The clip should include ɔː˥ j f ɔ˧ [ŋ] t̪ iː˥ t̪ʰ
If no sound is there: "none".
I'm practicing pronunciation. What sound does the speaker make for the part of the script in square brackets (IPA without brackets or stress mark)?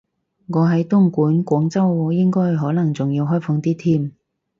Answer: ŋ